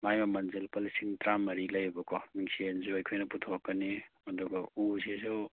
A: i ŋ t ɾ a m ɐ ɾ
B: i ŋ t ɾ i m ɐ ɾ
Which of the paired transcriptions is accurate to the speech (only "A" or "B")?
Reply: A